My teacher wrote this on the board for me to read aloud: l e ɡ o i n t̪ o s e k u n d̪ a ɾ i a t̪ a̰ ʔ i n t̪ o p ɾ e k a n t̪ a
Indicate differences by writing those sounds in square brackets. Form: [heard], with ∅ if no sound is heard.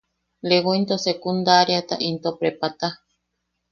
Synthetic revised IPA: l e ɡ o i n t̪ o s e k u n d̪ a ɾ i a t̪ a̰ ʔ i n t̪ o p ɾ e [p] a [∅] t̪ a